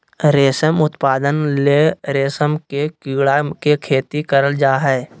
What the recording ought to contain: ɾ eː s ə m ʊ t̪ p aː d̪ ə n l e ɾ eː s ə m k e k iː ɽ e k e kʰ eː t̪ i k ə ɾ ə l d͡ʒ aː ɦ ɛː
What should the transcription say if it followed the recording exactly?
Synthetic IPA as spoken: ɾ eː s ə m ʊ t̪ p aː d̪ ə n l e ɾ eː s ə m k e k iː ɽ a k e kʰ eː t̪ i k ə ɾ ə l d͡ʒ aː ɦ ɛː